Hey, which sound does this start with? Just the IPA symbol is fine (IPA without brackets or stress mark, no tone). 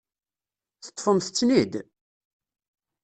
θ